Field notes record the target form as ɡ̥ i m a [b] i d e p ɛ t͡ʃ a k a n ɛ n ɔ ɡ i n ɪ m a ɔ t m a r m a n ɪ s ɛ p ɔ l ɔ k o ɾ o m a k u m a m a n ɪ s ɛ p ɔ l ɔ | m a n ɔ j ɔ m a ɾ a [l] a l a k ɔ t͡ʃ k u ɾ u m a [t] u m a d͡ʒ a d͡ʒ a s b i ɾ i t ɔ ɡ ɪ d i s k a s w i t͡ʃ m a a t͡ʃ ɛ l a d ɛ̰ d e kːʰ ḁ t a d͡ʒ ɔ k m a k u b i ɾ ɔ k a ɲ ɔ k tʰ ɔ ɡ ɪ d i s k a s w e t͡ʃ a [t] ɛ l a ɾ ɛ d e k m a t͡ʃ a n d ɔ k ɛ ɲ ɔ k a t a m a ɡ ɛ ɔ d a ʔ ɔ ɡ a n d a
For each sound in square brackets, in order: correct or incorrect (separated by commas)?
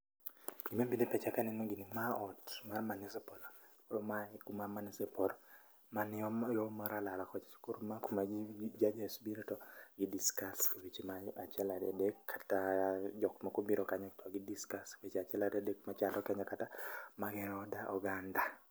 correct, correct, incorrect, incorrect